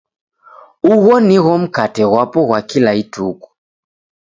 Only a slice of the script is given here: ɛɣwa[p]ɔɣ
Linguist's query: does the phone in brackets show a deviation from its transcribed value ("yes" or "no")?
no